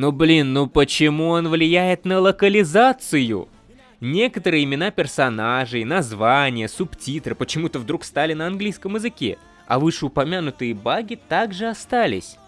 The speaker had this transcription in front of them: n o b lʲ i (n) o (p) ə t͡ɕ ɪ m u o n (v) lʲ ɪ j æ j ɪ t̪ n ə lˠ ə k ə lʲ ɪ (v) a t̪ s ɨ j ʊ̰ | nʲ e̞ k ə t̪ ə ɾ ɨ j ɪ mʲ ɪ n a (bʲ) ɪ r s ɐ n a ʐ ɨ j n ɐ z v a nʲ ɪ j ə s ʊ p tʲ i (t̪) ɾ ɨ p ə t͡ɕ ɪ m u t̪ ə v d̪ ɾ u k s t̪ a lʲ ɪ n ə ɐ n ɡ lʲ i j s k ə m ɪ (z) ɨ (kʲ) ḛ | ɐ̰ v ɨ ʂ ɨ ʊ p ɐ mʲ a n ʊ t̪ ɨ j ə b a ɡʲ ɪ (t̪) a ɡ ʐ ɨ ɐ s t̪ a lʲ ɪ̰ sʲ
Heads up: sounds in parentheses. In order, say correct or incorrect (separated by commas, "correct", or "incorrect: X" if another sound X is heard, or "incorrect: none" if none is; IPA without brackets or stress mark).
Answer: incorrect: nː, correct, correct, incorrect: z, incorrect: pʲ, correct, correct, correct, correct